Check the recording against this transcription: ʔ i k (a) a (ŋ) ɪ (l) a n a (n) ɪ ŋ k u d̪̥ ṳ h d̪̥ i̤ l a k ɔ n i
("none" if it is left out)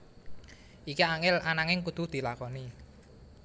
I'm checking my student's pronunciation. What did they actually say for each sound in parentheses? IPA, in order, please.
i, ŋ, l, ŋ

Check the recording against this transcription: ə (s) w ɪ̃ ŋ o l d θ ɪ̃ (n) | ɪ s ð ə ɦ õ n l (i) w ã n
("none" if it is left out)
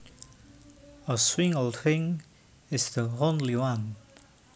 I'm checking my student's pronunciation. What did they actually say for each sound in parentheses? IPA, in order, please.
s, ŋ, i

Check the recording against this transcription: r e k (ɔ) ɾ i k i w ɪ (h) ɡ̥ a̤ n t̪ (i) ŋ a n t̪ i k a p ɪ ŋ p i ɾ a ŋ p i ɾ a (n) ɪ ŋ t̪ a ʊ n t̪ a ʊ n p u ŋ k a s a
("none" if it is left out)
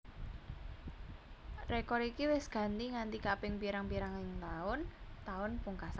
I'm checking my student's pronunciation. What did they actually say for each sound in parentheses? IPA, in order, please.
ɔ, s, i, ŋ

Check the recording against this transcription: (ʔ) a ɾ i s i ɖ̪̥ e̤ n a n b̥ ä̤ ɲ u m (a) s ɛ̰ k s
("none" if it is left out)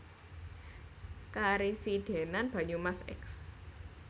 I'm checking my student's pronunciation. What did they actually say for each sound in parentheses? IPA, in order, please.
k, a

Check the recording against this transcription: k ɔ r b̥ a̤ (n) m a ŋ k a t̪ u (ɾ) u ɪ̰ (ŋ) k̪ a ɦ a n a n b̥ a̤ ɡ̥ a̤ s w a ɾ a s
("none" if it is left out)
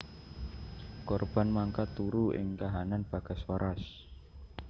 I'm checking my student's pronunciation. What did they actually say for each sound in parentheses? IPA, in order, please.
n, ɾ, ŋ

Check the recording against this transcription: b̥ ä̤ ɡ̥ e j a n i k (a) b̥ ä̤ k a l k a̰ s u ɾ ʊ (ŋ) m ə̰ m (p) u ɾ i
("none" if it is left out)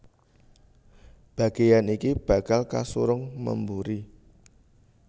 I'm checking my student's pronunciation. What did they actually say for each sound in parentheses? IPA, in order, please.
i, ŋ, b

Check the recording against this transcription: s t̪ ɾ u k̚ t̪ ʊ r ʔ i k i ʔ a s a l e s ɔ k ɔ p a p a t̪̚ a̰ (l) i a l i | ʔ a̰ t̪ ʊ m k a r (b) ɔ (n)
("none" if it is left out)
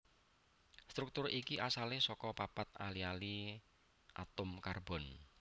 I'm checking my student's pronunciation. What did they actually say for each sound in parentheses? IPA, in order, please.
l, b, n

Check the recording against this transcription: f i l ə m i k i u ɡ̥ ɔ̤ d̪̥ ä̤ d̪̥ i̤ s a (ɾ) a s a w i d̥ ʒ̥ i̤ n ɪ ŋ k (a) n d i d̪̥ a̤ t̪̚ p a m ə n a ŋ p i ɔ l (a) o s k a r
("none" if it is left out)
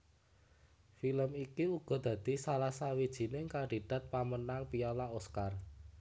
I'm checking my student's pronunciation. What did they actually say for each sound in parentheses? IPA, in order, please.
l, a, a

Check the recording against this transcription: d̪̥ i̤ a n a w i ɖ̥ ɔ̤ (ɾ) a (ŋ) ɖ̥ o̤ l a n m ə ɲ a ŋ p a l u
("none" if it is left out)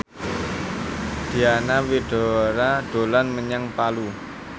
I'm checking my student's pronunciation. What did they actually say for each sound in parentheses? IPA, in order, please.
ɾ, none

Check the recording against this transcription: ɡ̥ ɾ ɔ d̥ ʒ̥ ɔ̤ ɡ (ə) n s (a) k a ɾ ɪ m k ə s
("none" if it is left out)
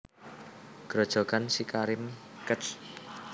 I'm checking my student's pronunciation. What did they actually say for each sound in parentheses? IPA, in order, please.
a, i

